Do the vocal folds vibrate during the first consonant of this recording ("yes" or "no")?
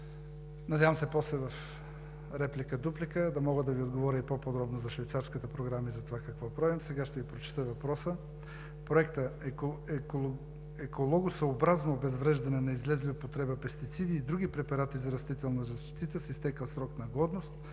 yes